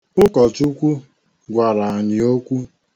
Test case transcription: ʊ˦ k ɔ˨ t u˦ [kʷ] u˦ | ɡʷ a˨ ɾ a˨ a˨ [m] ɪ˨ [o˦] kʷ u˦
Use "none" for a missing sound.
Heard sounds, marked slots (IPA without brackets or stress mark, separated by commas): kʷ, ɲ, o˦